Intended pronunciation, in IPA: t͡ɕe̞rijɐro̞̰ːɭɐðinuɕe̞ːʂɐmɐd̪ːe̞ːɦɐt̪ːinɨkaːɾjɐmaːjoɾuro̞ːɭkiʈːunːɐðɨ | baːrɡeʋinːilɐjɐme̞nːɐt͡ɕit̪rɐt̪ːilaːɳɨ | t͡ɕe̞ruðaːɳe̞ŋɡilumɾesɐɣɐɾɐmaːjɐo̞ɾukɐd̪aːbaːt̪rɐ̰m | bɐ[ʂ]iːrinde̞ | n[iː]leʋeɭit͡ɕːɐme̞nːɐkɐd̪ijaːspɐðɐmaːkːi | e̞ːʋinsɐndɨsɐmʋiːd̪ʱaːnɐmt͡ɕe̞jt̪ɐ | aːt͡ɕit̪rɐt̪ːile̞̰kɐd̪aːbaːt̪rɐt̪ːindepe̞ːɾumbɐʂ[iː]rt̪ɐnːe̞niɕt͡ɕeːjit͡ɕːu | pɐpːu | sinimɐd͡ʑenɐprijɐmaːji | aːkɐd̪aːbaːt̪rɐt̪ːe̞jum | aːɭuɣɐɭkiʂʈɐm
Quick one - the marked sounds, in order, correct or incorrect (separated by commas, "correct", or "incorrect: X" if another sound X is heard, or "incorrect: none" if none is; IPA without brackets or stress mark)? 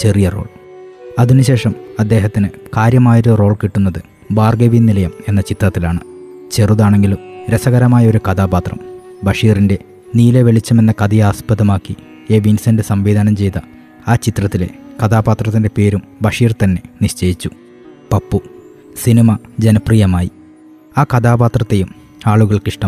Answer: correct, correct, correct